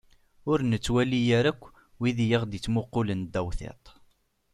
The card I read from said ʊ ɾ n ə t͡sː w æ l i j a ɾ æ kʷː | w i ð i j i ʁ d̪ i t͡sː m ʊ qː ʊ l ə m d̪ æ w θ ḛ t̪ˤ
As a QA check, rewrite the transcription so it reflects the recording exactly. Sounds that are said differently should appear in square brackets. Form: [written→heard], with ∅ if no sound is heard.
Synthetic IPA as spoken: ʊ ɾ n ə t͡sː w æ l i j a ɾ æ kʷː | w i ð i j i ʁ d̪ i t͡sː m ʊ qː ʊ l ə [m→n] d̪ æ w θ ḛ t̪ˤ